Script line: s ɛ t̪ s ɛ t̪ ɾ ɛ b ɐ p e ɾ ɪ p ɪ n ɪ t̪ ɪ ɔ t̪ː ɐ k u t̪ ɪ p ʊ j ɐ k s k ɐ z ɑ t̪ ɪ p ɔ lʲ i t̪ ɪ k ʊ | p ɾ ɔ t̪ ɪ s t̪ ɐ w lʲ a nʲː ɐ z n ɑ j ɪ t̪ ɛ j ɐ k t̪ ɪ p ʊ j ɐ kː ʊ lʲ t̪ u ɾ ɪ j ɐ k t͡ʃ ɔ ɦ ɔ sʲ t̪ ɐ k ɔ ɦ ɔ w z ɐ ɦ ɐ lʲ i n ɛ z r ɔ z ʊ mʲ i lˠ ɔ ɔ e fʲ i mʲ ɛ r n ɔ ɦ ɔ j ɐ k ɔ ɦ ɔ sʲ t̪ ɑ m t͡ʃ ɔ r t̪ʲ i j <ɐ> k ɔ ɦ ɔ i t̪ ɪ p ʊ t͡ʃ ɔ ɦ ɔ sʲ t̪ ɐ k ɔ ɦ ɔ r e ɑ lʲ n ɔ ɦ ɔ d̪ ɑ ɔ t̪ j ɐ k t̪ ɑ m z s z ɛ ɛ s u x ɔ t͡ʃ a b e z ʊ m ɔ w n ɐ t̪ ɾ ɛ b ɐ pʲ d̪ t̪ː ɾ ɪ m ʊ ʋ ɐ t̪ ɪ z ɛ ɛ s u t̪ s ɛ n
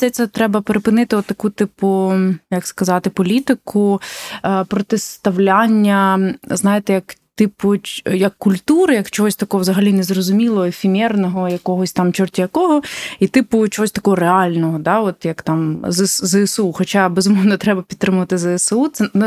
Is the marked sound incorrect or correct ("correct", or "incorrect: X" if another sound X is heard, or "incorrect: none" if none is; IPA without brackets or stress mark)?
correct